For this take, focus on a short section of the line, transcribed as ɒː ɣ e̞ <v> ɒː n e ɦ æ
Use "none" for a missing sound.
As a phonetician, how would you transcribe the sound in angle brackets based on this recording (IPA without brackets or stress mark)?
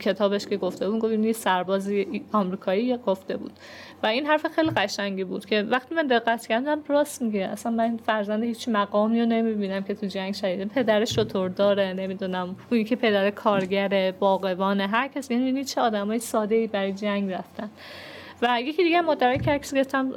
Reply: v